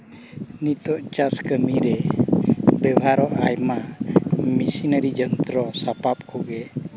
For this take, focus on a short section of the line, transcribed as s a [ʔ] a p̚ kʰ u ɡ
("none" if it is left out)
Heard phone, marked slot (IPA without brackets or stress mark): p